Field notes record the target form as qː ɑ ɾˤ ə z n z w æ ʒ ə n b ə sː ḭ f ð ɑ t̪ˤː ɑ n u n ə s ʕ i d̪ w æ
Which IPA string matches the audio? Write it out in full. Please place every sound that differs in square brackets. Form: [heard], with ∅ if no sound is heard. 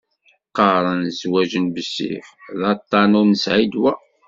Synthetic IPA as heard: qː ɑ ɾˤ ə [∅] n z w æ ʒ ə n b ə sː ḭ f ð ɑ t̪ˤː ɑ n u n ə s ʕ i d̪ w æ